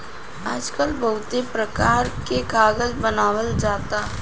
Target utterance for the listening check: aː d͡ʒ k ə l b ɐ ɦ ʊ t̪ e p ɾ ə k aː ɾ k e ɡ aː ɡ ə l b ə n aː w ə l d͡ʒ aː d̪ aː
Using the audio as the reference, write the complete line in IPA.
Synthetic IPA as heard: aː d͡ʒ k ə l b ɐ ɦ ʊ t̪ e p ɾ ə k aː ɾ k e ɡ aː ɡ ə l b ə n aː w ə l d͡ʒ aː t̪ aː